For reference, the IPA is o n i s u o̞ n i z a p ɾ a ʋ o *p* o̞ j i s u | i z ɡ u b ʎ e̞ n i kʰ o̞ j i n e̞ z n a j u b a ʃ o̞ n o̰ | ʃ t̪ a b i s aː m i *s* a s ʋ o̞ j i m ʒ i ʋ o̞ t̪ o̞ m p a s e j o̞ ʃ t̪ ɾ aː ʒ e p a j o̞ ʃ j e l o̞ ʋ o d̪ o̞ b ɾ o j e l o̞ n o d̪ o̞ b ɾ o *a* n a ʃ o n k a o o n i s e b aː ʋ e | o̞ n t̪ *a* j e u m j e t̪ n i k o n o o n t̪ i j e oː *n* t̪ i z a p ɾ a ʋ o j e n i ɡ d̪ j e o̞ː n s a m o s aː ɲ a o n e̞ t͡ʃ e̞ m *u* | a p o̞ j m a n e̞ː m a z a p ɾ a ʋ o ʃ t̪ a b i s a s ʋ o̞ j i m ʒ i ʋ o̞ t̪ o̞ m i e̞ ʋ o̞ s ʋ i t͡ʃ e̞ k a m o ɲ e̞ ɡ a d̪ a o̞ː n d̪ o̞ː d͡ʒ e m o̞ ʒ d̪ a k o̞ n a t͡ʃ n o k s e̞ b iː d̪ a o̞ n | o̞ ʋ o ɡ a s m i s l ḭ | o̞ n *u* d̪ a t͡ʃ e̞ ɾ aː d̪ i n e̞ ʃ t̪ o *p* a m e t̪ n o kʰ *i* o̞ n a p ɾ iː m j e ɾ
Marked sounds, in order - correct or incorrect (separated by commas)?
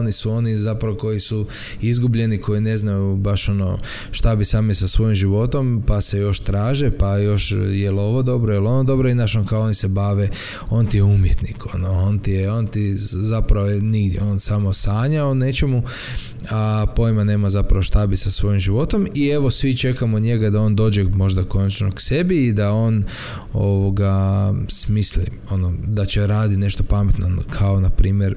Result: incorrect, correct, incorrect, incorrect, correct, correct, incorrect, correct, incorrect